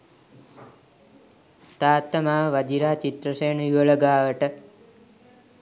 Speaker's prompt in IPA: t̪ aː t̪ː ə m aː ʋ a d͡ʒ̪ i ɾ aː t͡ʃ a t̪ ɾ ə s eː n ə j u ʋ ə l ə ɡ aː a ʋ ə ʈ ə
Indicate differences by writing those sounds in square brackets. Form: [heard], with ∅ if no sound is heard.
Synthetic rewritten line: t̪ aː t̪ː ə m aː ʋ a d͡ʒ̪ i ɾ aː t͡ʃ [i] t̪ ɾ ə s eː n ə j u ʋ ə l ə ɡ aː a ʋ ə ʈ ə